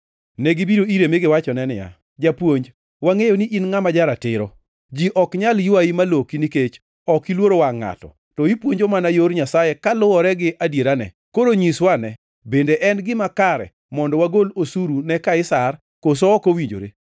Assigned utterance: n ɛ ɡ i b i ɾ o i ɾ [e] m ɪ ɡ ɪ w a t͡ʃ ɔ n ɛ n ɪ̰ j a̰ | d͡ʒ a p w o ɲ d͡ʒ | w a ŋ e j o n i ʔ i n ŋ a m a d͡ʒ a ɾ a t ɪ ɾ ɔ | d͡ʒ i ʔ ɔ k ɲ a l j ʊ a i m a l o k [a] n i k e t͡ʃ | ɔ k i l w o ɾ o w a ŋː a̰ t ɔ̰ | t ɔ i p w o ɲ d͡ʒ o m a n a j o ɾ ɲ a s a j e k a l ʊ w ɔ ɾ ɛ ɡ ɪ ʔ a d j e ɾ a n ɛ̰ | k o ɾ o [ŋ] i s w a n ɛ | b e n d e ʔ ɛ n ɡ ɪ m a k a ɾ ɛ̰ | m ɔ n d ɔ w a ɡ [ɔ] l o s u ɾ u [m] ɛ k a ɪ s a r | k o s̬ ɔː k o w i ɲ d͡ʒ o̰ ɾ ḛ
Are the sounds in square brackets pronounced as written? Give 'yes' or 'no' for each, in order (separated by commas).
yes, no, no, no, no